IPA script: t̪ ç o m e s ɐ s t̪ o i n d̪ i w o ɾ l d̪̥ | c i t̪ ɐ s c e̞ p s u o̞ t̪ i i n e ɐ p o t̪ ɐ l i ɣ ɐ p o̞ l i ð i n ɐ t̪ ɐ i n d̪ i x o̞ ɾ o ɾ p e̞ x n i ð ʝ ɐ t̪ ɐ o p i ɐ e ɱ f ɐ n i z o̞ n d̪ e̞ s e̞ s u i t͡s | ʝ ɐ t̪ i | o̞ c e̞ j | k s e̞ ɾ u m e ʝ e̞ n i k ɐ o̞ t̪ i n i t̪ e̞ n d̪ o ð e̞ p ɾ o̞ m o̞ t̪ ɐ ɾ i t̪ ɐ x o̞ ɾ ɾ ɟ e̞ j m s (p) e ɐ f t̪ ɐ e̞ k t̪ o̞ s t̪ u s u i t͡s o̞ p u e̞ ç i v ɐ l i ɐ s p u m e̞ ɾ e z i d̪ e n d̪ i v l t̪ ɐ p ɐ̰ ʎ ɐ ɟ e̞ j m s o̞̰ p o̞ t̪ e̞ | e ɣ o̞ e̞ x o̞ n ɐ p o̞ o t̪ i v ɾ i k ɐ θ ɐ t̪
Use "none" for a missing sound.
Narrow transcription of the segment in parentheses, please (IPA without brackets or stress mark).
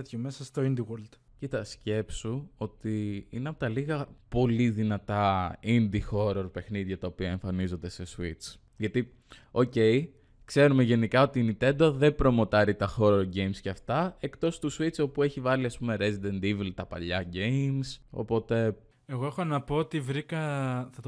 c